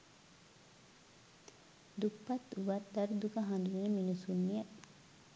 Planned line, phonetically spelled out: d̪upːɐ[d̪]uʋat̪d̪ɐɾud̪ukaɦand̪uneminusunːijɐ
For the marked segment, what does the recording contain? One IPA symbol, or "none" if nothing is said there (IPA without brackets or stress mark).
t̪